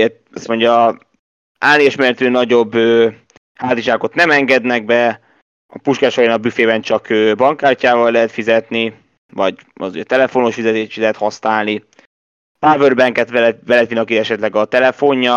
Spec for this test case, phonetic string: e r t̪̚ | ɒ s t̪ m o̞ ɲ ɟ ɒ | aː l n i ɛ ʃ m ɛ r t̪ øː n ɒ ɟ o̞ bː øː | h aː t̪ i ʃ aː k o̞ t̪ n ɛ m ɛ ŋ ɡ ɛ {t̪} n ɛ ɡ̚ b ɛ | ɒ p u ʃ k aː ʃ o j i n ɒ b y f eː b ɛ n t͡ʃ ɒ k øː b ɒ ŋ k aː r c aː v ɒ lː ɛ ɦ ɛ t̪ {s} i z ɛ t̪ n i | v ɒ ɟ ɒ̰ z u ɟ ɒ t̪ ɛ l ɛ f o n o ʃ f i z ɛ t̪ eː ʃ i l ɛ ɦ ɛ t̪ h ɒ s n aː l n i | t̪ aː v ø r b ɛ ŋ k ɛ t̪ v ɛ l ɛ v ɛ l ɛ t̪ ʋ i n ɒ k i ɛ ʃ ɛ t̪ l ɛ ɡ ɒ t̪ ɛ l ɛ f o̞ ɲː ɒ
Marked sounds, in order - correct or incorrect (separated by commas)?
incorrect, incorrect